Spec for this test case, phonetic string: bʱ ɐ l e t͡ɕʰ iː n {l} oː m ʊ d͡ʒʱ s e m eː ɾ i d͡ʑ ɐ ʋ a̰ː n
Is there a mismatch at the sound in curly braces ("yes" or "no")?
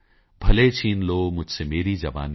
no